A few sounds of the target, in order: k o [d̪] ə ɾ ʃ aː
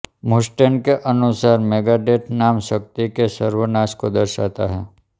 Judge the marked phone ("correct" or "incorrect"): correct